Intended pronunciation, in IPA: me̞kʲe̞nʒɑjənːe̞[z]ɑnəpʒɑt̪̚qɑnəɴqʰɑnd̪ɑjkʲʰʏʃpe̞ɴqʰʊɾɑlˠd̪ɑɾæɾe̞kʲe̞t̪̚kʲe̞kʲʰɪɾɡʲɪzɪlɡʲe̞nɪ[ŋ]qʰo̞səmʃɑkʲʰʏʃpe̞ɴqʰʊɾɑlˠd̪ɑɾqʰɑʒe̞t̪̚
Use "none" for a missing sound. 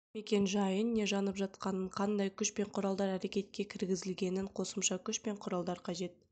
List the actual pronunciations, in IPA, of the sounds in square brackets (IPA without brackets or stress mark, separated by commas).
ʒ, ɴ